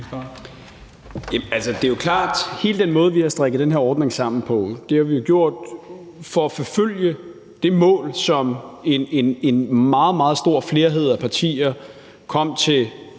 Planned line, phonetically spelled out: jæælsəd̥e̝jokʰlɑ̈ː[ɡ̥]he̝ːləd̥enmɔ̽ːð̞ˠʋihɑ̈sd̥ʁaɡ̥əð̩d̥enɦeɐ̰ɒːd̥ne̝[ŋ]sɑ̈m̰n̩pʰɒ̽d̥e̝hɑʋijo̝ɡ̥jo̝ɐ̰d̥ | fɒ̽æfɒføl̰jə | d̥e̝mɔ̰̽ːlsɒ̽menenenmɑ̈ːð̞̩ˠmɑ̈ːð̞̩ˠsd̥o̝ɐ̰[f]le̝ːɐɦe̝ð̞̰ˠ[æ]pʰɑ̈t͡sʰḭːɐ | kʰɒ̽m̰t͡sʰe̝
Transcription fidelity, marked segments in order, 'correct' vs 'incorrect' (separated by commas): incorrect, correct, correct, correct